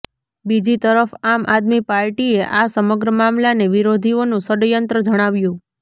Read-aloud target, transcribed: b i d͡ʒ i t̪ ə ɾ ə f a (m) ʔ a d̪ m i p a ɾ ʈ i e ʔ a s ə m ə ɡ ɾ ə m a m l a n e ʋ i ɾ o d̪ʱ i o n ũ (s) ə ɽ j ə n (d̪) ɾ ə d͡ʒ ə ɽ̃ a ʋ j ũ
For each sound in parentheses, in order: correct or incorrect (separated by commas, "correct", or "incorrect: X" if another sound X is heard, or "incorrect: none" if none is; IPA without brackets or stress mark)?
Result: correct, correct, incorrect: t̪